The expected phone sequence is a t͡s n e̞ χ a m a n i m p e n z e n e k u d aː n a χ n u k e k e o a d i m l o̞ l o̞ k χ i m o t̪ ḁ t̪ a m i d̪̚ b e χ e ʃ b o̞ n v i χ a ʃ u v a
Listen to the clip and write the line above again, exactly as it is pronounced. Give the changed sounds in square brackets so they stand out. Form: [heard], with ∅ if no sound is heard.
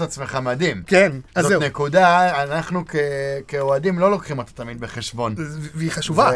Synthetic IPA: a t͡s [m] e̞ χ a m a [d] i m [k] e n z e n e k u d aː n a χ n u k e k e o a d i m l o̞ l o̞ k χ i m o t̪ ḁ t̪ a m i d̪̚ b e χ e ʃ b o̞ n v i χ a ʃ u v a